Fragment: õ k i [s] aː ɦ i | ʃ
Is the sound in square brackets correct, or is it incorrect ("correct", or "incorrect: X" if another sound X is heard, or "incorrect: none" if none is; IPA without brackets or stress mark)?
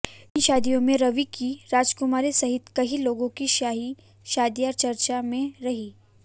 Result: incorrect: ʃ